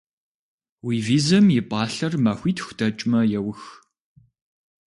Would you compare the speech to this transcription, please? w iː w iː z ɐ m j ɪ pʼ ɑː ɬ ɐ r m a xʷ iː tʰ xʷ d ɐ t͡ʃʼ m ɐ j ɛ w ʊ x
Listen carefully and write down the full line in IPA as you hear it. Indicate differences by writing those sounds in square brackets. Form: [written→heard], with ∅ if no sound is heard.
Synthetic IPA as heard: w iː [w→v] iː z ɐ m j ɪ pʼ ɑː ɬ ɐ r m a xʷ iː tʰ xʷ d ɐ t͡ʃʼ m ɐ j ɛ w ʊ x